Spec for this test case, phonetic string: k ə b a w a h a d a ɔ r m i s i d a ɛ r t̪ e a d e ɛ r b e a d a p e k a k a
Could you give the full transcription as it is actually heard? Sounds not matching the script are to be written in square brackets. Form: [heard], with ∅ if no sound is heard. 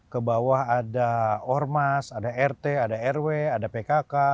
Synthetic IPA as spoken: k ə b a w a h a d a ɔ r m [a] s [a] d a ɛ r t̪ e a d [a] ɛ r [w] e a d a p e k a k a